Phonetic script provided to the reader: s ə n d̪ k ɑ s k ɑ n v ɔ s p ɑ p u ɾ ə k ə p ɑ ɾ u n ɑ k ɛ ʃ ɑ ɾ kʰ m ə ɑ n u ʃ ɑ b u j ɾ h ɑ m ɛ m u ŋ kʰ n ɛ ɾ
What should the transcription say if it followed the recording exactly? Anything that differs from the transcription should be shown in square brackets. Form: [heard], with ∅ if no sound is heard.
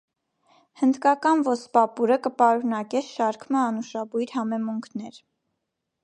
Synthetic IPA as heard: [h] ə n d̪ k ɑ [∅] k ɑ n v ɔ s p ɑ p u ɾ ə k ə p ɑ ɾ u n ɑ k ɛ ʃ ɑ ɾ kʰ m ə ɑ n u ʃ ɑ b u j ɾ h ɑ m ɛ m u ŋ kʰ n ɛ ɾ